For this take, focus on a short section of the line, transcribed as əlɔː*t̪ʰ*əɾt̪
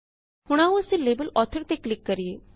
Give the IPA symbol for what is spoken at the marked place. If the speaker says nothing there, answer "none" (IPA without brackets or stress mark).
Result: t̪ʰ